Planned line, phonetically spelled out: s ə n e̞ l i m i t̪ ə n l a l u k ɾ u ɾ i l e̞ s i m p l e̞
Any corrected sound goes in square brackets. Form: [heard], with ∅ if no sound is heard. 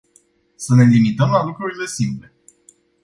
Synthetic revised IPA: s ə n e̞ l i m i t̪ ə [m] l a l u k ɾ u ɾ i l e̞ s i m p l e̞